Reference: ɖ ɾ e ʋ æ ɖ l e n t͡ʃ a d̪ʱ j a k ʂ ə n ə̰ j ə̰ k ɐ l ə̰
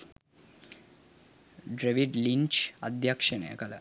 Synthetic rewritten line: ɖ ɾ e ʋ i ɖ l i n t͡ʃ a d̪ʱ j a k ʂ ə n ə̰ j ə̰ k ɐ l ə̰